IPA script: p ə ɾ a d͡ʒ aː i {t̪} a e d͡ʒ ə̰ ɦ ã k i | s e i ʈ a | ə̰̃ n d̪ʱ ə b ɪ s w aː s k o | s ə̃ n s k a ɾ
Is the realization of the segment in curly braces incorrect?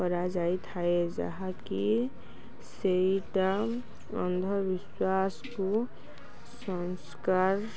yes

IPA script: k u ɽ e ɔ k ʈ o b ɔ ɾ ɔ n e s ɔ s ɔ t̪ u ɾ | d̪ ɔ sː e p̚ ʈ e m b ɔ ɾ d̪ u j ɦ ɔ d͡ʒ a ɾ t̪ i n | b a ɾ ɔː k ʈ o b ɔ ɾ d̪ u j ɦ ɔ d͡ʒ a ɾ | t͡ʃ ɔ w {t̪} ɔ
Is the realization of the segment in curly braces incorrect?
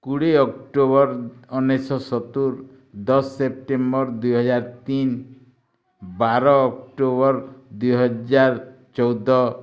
yes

